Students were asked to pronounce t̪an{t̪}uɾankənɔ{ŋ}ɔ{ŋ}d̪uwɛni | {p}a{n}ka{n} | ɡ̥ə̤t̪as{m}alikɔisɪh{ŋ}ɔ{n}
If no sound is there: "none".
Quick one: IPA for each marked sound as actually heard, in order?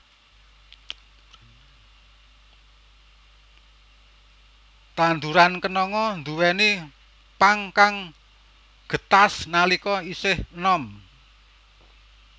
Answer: d̪, ŋ, n, p, ŋ, ŋ, n, n, m

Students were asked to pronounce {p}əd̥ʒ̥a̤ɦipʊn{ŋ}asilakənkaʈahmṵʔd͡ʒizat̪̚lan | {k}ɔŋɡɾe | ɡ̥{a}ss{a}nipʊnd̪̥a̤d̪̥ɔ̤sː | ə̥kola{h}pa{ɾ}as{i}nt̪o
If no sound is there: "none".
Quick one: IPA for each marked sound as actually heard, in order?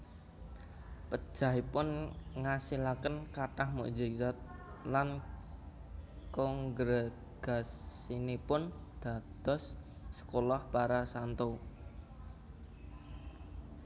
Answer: p, ŋ, k, a, i, h, ɾ, a

